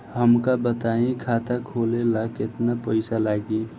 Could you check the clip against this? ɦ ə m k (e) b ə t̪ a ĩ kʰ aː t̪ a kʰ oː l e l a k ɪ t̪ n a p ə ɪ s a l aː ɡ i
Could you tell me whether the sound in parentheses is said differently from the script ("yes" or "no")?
yes